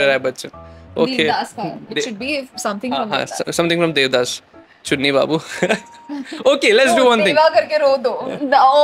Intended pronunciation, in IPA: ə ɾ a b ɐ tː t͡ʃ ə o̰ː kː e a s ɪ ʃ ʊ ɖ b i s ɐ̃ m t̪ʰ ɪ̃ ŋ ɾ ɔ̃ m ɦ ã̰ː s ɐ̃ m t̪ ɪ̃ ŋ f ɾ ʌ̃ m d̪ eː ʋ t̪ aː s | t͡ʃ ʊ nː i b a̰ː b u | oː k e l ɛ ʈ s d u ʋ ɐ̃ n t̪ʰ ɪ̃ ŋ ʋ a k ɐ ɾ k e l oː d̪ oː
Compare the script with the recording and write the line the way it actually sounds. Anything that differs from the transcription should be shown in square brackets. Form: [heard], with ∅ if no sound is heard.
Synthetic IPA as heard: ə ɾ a b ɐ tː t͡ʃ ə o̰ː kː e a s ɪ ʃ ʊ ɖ b i s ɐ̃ m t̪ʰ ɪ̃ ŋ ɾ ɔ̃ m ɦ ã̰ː s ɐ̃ m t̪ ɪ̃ ŋ f ɾ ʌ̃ m d̪ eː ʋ [d̪] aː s | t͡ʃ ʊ nː i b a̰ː b u | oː k e l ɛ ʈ s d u ʋ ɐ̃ n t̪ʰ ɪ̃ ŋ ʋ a k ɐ ɾ k e [ɾ] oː d̪ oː